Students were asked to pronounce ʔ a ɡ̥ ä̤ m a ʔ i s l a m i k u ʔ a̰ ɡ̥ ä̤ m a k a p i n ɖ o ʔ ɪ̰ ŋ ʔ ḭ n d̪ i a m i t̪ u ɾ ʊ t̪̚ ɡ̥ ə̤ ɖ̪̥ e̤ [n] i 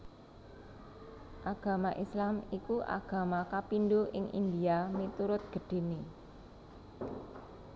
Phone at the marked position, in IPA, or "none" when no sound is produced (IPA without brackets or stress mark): n